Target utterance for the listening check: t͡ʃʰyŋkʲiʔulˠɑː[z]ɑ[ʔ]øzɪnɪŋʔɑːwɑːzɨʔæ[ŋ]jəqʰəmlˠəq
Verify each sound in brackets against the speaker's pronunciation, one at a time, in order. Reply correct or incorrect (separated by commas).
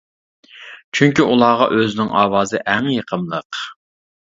incorrect, correct, correct